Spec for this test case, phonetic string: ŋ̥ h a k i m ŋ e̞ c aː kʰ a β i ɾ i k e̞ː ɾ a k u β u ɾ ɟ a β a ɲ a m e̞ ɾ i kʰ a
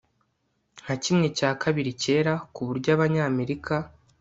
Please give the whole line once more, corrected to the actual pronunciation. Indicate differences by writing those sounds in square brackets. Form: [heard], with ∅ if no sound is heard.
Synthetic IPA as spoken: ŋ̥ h a [c] i m ŋ e̞ c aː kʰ a β i ɾ i [c] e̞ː ɾ a k u β u ɾ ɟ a β a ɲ a m e̞ ɾ i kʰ a